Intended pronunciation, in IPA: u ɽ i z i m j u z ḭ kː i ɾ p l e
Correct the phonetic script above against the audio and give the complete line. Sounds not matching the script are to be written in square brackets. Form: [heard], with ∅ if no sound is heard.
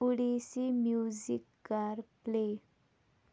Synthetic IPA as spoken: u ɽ i [s] i m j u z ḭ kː [a] ɾ p l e